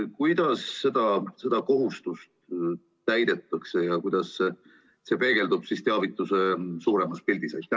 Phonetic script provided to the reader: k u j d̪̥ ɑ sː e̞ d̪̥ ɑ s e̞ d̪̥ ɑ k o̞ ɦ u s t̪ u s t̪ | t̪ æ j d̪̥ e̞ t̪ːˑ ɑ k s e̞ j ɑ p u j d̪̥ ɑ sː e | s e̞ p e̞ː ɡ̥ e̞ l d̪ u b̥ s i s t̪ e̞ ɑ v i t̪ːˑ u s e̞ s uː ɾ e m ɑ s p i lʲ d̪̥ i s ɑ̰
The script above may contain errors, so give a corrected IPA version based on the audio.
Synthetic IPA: k u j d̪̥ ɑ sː e̞ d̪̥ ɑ s e̞ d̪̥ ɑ k o̞ ɦ u s t̪ u s t̪ | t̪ æ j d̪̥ e̞ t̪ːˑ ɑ k s e̞ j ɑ k u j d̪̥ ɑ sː e | s e̞ p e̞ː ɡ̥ e̞ l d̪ u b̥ s i s t̪ e̞ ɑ v i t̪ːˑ u s e̞ s uː ɾ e m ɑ s p i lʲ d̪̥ i s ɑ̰